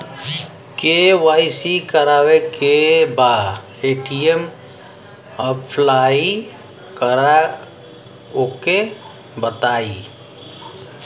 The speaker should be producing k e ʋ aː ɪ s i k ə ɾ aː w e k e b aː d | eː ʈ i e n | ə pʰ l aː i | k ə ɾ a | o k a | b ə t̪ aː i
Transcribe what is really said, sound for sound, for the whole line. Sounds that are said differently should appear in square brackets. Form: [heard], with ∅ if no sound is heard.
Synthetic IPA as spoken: k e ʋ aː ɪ s i k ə ɾ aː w e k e b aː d | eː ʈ i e [m] | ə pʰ l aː i | k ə ɾ a | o k [e] | b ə t̪ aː i